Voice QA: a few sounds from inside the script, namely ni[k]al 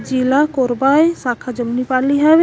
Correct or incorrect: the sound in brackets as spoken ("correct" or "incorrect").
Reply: incorrect